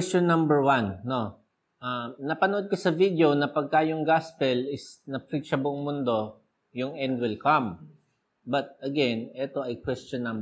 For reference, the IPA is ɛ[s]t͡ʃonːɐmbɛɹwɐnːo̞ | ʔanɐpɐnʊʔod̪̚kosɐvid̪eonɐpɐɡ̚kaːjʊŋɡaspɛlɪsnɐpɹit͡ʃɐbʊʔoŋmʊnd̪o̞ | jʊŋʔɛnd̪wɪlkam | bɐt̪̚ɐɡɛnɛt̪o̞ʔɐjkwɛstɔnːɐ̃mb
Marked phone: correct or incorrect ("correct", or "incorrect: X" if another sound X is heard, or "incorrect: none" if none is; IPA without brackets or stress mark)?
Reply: correct